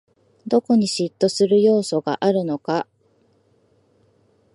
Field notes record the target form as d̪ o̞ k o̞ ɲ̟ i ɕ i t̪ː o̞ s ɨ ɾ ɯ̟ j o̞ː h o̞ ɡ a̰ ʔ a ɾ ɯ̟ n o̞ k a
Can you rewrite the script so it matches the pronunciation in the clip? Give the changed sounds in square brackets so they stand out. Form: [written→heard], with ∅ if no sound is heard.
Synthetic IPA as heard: d̪ o̞ k o̞ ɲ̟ i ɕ i t̪ː o̞ s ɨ ɾ ɯ̟ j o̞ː [h→s] o̞ ɡ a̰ ʔ a ɾ ɯ̟ n o̞ k a